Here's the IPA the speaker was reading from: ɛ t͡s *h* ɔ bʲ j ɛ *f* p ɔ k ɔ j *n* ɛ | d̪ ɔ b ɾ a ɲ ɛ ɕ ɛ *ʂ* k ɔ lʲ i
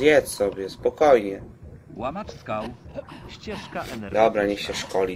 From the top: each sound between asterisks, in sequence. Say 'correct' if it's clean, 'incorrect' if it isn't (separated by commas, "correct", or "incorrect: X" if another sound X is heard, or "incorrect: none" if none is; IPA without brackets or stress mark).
incorrect: s, incorrect: s, incorrect: ɲ, correct